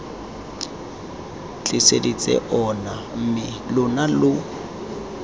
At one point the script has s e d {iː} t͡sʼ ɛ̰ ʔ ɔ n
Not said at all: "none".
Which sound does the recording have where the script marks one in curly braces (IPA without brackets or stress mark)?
i